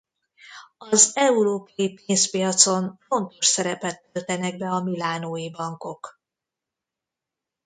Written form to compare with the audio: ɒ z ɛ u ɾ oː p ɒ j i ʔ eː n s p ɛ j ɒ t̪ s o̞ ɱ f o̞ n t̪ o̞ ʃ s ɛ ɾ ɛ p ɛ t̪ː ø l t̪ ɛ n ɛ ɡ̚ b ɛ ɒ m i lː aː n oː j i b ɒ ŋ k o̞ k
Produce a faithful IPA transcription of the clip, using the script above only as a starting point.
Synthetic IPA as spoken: ɒ z ɛ u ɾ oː p ɒ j i p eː n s p i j ɒ t̪ s o̞ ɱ f o̞ n t̪ o̞ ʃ s ɛ ɾ ɛ p ɛ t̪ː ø l t̪ ɛ n ɛ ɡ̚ b ɛ ɒ m i l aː n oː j i b ɒ ŋ k o̞ k

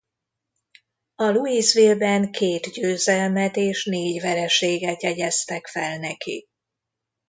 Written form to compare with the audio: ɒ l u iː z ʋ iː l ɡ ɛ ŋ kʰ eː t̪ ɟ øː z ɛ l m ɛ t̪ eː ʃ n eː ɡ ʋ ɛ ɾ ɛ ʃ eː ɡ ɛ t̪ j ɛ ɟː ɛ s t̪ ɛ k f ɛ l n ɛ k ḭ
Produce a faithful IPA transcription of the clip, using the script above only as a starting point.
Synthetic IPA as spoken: ɒ l u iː z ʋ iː l b ɛ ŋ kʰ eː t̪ ɟ øː z ɛ l m ɛ t̪ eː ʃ n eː ɟ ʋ ɛ ɾ ɛ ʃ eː ɡ ɛ t̪ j ɛ ɟ ɛ s t̪ ɛ k f ɛ l n ɛ k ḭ

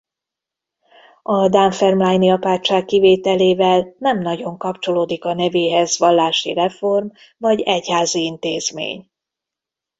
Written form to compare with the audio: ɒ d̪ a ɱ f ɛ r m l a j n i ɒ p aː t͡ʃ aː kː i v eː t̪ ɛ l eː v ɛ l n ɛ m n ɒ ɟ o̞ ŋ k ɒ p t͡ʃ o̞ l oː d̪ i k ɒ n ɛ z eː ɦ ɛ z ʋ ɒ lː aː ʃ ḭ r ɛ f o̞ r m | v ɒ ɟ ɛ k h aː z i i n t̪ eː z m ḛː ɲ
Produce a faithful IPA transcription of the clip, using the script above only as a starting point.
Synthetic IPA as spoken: ɒ d̪ a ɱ f ɛ r m l a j n i ɒ p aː t͡ʃ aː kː i v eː t̪ ɛ l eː v ɛ l n ɛ m n ɒ ɟ o̞ ŋ k ɒ p t͡ʃ o̞ l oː d̪ i k ɒ n ɛ v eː ɦ ɛ z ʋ ɒ lː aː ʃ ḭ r ɛ f o̞ r m | v ɒ ɟ ɛ c h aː z i i n t̪ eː z m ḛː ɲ

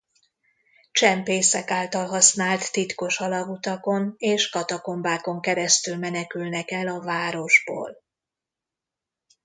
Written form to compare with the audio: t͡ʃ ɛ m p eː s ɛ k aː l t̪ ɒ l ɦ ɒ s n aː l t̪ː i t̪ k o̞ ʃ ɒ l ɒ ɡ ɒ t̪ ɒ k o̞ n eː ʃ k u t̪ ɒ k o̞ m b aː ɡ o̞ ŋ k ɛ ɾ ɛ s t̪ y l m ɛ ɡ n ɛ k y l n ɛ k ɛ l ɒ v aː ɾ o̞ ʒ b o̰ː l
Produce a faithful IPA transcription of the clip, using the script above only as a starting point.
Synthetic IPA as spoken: t͡ʃ ɛ m p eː s ɛ k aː l t̪ ɒ l ɦ ɒ s n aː l t̪ː i t̪ k o̞ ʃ ɒ l ɒ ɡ u t̪ ɒ k o̞ n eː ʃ k ɒ t̪ ɒ k o̞ m b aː k o̞ ŋ k ɛ ɾ ɛ s t̪ y l m ɛ n ɛ k y l n ɛ k ɛ l ɒ v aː ɾ o̞ ʒ b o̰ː l

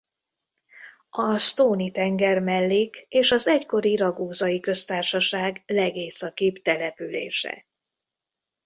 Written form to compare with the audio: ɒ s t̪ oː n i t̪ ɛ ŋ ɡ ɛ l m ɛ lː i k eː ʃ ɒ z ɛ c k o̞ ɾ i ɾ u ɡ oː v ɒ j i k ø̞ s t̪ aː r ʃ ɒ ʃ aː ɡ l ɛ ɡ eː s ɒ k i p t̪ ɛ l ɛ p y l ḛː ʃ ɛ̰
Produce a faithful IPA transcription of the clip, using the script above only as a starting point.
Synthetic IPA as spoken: ɒ s t̪ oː n i t̪ ɛ ŋ ɡ ɛ r m ɛ lː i k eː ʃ ɒ z ɛ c k o̞ ɾ i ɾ ɒ ɡ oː z ɒ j i k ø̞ s t̪ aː r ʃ ɒ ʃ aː ɡ l ɛ ɡ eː s ɒ k i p t̪ ɛ l ɛ p y l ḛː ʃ ɛ̰

